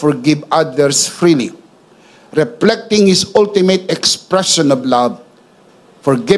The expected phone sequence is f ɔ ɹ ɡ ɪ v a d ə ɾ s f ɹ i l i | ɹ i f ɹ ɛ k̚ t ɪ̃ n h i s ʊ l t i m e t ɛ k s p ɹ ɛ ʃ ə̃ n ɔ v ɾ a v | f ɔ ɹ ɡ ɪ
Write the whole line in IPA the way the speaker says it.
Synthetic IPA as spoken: f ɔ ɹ ɡ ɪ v a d ə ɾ s f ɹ i l i | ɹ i f l ɛ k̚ t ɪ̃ ŋ h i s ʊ l t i m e t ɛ k s p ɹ ɛ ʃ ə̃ n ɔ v l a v | f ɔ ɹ ɡ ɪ